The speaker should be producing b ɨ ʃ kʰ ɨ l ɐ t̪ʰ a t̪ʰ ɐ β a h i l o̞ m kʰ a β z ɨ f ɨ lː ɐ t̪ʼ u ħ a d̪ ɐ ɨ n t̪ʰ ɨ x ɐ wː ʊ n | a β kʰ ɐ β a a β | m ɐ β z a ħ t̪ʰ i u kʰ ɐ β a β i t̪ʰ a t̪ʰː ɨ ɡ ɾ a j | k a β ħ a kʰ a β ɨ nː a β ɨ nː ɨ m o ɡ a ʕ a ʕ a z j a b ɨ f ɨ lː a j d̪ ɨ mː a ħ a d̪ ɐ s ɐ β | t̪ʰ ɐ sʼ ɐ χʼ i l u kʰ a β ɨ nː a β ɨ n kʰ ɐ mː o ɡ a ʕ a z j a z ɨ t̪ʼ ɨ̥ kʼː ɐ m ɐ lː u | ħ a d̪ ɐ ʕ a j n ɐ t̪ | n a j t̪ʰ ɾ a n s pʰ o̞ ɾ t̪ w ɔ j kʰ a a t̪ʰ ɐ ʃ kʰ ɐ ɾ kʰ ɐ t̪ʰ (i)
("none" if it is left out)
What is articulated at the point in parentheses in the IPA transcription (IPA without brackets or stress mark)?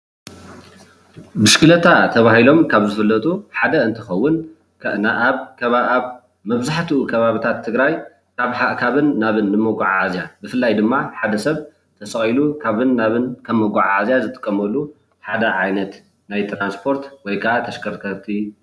i